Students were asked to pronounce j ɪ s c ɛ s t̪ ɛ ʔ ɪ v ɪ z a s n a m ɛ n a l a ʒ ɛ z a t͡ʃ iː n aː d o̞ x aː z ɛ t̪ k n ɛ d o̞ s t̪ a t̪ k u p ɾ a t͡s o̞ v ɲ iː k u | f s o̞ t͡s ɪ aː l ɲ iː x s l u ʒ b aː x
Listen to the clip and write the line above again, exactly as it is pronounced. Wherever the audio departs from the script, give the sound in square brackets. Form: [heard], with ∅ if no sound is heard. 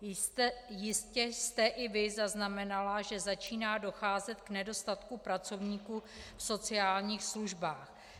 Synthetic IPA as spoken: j ɪ s c ɛ s t̪ ɛ ʔ ɪ v ɪ z a [z] n a m ɛ n a l a ʒ ɛ z a t͡ʃ iː n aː d o̞ x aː z ɛ t̪ k n ɛ d o̞ s t̪ a t̪ k u p ɾ a t͡s o̞ v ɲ iː k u | f s o̞ t͡s ɪ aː l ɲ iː x s l u ʒ b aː x

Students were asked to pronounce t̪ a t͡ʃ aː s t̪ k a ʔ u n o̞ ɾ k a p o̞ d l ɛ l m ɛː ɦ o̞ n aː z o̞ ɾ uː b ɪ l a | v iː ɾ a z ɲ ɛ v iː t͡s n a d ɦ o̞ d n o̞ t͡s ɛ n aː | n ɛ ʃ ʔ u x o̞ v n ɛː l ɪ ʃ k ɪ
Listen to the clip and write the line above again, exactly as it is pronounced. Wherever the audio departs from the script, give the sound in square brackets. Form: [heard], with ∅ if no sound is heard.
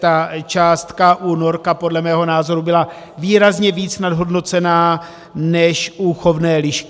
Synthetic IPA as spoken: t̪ a t͡ʃ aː s t̪ k a ʔ u n o̞ ɾ k a p o̞ d l ɛ [∅] m ɛː ɦ o̞ n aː z o̞ ɾ [u] b ɪ l a | v iː ɾ a z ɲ ɛ v iː t͡s n a d ɦ o̞ d n o̞ t͡s ɛ n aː | n ɛ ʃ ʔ u x o̞ v n ɛː l ɪ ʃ k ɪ

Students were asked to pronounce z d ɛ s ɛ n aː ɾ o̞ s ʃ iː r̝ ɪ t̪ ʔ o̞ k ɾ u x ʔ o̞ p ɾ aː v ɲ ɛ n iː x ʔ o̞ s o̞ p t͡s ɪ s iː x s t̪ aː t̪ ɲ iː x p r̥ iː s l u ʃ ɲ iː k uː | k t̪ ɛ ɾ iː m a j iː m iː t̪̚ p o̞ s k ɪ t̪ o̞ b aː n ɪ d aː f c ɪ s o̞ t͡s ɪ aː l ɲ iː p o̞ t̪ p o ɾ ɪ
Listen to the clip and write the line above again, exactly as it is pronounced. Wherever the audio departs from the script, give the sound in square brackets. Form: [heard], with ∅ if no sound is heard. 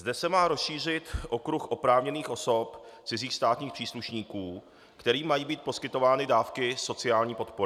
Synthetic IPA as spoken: z d ɛ s ɛ [m] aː ɾ o̞ s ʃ iː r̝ ɪ t̪ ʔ o̞ k ɾ u x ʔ o̞ p ɾ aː v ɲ ɛ n iː x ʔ o̞ s o̞ p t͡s ɪ [z] iː x s t̪ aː t̪ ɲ iː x p r̥ iː s l u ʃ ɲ iː k uː | k t̪ ɛ ɾ iː m a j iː [b] iː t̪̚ p o̞ s k ɪ t̪ o̞ [v] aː n ɪ d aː f [k] ɪ s o̞ t͡s ɪ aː l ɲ iː p o̞ t̪ p o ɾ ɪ

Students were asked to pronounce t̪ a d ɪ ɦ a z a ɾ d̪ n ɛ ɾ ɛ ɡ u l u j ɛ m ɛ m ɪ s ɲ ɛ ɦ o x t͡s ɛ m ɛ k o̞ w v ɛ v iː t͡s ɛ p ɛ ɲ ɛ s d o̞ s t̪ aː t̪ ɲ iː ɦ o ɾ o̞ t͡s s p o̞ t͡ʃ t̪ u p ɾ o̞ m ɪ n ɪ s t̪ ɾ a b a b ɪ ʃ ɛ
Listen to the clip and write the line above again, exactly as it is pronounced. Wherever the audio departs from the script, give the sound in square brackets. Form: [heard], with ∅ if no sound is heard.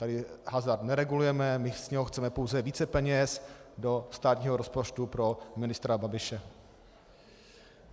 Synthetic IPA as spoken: t̪ a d ɪ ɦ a z a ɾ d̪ n ɛ ɾ ɛ ɡ u l u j ɛ m ɛ m ɪ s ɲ ɛ ɦ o x t͡s ɛ m ɛ [p] o̞ w [z] ɛ v iː t͡s ɛ p ɛ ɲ ɛ s d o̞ s t̪ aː t̪ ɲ iː ɦ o ɾ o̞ [∅] s p o̞ t͡ʃ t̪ u p ɾ o̞ m ɪ n ɪ s t̪ ɾ a b a b ɪ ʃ ɛ

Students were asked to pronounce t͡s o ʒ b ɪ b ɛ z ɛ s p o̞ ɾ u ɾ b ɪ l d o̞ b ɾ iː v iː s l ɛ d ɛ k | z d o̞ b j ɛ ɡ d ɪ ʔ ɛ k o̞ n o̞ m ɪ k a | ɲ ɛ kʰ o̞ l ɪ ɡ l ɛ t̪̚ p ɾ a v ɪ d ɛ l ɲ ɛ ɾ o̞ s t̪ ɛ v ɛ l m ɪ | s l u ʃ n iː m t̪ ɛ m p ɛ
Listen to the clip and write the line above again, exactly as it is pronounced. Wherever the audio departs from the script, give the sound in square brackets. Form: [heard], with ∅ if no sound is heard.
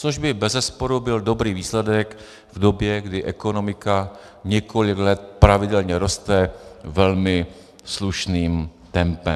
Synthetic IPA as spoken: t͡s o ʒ b ɪ b ɛ z ɛ s p o̞ ɾ u [∅] b ɪ l d o̞ b ɾ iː v iː s l ɛ d ɛ k | [v] d o̞ b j ɛ ɡ d ɪ ʔ ɛ k o̞ n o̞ m ɪ k a | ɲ ɛ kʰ o̞ l ɪ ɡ l ɛ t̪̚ p ɾ a v ɪ d ɛ l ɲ ɛ ɾ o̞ s t̪ ɛ v ɛ l m ɪ | s l u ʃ n iː m t̪ ɛ m p ɛ

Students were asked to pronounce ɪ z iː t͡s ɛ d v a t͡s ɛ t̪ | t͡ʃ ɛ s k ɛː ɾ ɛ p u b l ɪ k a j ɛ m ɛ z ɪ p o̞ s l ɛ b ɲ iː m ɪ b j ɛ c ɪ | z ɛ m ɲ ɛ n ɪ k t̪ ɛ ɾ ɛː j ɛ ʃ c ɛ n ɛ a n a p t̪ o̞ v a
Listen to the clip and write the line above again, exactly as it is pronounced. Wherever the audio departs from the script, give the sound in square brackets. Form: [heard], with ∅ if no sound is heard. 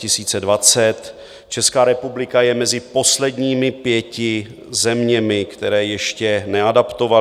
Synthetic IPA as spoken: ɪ [s] iː t͡s ɛ d v a t͡s ɛ t̪ | t͡ʃ ɛ s k [aː] ɾ ɛ p u b l ɪ k a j ɛ m ɛ z ɪ p o̞ s l ɛ [d] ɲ iː m ɪ [p] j ɛ c ɪ | z ɛ m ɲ ɛ [m] ɪ k t̪ ɛ ɾ ɛː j ɛ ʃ c ɛ n ɛ a [d] a p t̪ o̞ v a

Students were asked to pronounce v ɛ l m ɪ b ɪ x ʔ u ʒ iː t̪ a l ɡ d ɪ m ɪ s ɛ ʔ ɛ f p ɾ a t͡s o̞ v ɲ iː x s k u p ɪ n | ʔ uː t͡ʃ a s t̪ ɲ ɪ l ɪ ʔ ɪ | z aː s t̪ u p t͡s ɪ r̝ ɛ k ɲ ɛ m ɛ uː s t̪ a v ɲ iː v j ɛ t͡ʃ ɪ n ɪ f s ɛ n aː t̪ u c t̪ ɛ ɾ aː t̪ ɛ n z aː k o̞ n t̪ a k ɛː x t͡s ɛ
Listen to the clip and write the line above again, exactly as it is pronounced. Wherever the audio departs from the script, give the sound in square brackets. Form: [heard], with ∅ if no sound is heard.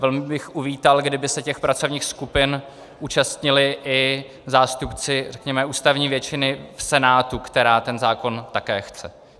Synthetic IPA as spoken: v ɛ l m ɪ b ɪ x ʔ u [v] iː t̪ a l ɡ d ɪ [b] ɪ s ɛ [c] ɛ [x] p ɾ a t͡s o̞ v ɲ iː x s k u p ɪ n | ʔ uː t͡ʃ a s t̪ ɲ ɪ l ɪ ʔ ɪ | z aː s t̪ u p t͡s ɪ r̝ ɛ k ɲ ɛ m ɛ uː s t̪ a v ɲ iː v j ɛ t͡ʃ ɪ n ɪ f s ɛ n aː t̪ u [k] t̪ ɛ ɾ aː t̪ ɛ n z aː k o̞ n t̪ a k ɛː x t͡s ɛ

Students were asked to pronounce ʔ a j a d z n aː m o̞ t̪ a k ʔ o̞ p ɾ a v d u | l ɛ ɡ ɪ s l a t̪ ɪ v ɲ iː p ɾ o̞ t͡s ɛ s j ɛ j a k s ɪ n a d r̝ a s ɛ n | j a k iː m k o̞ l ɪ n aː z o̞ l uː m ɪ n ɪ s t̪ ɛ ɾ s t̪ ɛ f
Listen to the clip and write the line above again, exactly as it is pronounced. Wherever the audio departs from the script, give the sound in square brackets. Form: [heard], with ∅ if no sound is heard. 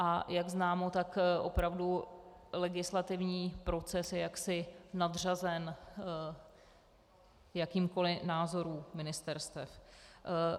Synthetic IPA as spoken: ʔ a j a [ɡ] z n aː m o̞ t̪ a k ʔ o̞ p ɾ a v d u | l ɛ ɡ ɪ s l a t̪ ɪ v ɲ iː p ɾ o̞ t͡s ɛ s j ɛ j a k s ɪ n a d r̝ a [z] ɛ n | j a k iː m k o̞ l ɪ n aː z o̞ [ɾ] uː m ɪ n ɪ s t̪ ɛ ɾ s t̪ ɛ f

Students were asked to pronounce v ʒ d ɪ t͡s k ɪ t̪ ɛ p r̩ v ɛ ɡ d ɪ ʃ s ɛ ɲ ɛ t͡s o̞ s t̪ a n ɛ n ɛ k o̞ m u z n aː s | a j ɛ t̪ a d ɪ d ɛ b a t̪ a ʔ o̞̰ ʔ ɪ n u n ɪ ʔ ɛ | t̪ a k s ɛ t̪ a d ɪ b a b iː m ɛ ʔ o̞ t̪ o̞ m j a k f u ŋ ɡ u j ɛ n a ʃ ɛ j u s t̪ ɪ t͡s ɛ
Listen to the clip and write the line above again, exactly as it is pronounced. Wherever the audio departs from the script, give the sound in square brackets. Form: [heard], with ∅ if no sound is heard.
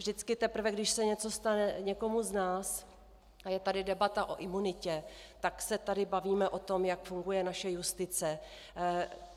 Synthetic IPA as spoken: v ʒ d ɪ t͡s k ɪ t̪ ɛ p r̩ v ɛ ɡ d ɪ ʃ s ɛ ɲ ɛ t͡s o̞ s t̪ a n ɛ [ɲ] ɛ k o̞ m u z n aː s | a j ɛ t̪ a d ɪ d ɛ b a t̪ a ʔ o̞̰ ʔ ɪ [m] u n ɪ [c] ɛ | t̪ a k s ɛ t̪ a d ɪ b a [v] iː m ɛ ʔ o̞ t̪ o̞ m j a k f u ŋ ɡ u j ɛ n a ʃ ɛ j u s t̪ ɪ t͡s ɛ

